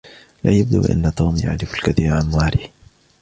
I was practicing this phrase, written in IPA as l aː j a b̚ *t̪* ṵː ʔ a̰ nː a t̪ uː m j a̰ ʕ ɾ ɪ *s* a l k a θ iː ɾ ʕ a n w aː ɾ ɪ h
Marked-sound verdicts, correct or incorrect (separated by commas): incorrect, incorrect